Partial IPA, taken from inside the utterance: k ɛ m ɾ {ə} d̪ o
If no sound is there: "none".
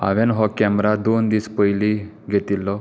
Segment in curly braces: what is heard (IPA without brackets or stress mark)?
a